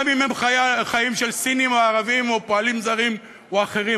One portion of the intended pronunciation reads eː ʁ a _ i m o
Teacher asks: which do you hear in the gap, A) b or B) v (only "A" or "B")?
B